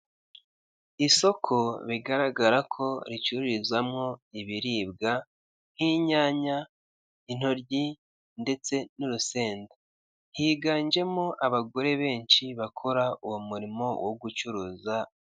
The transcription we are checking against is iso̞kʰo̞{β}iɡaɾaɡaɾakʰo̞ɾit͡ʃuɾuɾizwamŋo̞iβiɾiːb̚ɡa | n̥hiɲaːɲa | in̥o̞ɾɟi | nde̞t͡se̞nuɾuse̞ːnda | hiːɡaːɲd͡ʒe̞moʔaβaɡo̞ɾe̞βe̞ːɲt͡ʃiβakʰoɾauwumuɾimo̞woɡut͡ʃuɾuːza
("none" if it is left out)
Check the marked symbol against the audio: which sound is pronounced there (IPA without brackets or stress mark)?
β